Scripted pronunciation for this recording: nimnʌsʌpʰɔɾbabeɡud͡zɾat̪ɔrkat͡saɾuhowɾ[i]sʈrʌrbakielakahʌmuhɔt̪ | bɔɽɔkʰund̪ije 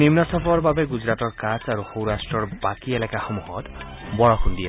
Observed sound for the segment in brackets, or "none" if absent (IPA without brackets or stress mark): a